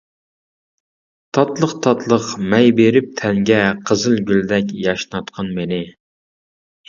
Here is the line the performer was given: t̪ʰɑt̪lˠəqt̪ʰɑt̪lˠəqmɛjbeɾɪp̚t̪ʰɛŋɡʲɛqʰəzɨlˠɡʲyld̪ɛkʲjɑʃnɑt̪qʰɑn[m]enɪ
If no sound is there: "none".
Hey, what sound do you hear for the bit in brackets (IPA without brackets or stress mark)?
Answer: m